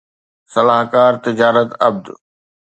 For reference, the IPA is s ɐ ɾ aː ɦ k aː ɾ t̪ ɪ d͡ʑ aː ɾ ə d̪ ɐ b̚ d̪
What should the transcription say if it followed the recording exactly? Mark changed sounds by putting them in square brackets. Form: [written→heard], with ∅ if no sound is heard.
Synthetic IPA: s ɐ [ɾ→l] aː ɦ k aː ɾ t̪ ɪ d͡ʑ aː ɾ ə [d̪→t̪] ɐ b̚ d̪

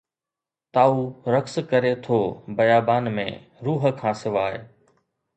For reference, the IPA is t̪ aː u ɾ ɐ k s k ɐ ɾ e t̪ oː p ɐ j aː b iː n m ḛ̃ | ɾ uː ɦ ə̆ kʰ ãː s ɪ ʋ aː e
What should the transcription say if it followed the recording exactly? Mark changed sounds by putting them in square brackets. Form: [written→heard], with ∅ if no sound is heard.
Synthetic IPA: t̪ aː u ɾ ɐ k s k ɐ ɾ e [t̪→t̪ʰ] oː [p→b] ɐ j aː b [iː→aː] n m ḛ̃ | ɾ uː ɦ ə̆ kʰ ãː s ɪ ʋ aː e

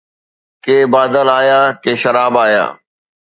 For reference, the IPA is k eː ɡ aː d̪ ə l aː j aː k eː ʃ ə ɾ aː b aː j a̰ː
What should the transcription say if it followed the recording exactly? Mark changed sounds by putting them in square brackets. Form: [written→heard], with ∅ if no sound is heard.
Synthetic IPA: k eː [ɡ→b] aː d̪ ə l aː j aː k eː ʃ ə ɾ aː b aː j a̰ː

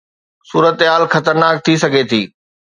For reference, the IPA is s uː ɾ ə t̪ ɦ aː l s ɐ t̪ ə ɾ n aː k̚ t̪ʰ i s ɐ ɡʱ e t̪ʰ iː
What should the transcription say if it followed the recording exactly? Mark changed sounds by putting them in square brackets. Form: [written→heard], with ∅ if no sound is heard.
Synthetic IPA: s uː ɾ ə t̪ ɦ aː l [s→x] ɐ t̪ ə ɾ n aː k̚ t̪ʰ i s ɐ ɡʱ e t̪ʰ iː

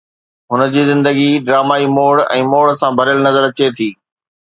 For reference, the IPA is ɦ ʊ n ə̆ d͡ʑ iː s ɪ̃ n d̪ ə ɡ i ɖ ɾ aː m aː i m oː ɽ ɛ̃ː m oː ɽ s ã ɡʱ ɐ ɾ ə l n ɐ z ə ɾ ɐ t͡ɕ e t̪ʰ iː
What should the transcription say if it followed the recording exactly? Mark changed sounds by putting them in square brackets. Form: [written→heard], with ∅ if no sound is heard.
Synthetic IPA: ɦ ʊ n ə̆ d͡ʑ iː [s→z] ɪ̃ n d̪ ə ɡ i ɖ ɾ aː m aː i m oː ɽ ɛ̃ː m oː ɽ s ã [ɡʱ→bʱ] ɐ ɾ ə l n ɐ z ə ɾ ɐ t͡ɕ e t̪ʰ iː

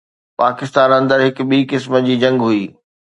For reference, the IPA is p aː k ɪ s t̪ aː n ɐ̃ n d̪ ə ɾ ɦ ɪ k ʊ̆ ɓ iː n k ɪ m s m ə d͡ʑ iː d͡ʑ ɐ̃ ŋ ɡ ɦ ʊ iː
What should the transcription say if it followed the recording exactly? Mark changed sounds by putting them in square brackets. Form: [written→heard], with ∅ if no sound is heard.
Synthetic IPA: p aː k ɪ s t̪ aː n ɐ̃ n d̪ ə ɾ ɦ ɪ k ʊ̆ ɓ iː [n→∅] k ɪ [m→∅] s m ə d͡ʑ iː d͡ʑ ɐ̃ ŋ ɡ ɦ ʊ iː

